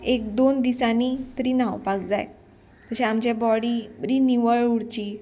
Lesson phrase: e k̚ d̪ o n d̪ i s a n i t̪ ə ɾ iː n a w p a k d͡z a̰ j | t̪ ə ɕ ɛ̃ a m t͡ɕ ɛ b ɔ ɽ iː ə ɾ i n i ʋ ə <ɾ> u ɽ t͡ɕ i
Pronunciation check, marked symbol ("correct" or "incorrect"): incorrect